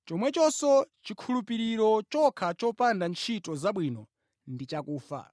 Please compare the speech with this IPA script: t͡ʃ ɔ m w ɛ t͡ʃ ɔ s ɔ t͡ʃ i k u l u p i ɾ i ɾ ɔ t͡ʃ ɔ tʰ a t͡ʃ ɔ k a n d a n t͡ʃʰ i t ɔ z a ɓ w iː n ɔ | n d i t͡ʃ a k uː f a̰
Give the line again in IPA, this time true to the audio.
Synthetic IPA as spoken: t͡ʃ ɔ m w ɛ t͡ʃ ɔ s ɔ t͡ʃ i kʰ u l u p i ɾ i ɾ ɔ t͡ʃ ɔ kʰ a t͡ʃ ɔ p a n d a n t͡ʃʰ i t ɔ z a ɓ w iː n ɔ | n d i t͡ʃ a k uː f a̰